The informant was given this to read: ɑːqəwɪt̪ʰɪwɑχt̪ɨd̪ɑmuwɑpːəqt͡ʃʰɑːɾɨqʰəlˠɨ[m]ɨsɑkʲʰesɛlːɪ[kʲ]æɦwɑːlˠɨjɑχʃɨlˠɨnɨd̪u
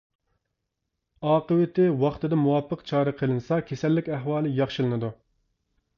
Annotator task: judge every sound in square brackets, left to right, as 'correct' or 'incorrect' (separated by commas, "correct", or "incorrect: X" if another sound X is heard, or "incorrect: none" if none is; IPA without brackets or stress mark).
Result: incorrect: n, correct